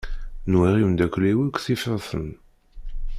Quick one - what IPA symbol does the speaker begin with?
n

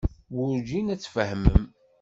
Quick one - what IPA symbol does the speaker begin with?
w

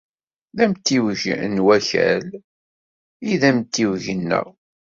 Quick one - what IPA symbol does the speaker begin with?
ð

